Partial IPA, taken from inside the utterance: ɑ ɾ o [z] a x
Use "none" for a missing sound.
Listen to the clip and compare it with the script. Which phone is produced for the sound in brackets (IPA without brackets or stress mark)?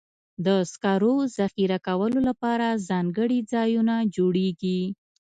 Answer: z